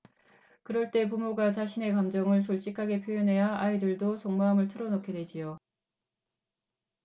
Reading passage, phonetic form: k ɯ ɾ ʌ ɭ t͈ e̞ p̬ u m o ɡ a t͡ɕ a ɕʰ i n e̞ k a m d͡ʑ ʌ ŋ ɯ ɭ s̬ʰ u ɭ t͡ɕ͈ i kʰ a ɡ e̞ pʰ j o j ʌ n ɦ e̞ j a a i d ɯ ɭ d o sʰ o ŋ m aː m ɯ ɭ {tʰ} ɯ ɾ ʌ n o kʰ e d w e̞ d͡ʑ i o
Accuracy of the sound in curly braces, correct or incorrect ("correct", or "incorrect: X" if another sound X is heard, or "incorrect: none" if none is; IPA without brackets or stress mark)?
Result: correct